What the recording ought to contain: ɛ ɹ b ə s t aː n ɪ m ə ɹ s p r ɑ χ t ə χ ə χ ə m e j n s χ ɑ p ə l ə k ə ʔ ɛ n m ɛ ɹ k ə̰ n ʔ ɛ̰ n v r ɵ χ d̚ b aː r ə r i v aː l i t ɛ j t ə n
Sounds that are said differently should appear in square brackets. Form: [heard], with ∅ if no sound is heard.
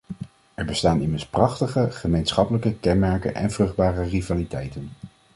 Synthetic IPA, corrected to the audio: ɛ ɹ b ə s t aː n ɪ m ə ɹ s p r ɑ χ t ə χ ə χ ə m e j n s χ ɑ p ə l ə k ə [k] ɛ n m ɛ ɹ k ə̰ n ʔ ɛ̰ n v r ɵ χ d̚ b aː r ə r i v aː l i t ɛ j t ə n